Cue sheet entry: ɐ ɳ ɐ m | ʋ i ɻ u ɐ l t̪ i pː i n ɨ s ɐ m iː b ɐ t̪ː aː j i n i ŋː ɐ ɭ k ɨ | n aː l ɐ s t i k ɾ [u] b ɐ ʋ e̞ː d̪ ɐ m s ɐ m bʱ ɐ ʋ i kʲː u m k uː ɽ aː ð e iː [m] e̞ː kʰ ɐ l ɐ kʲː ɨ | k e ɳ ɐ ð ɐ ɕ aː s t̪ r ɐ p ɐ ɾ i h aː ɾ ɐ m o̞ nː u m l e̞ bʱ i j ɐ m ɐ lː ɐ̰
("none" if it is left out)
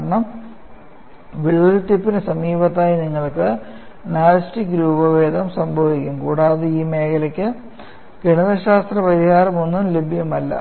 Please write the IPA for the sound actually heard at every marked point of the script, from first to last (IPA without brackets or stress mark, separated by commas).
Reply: uː, m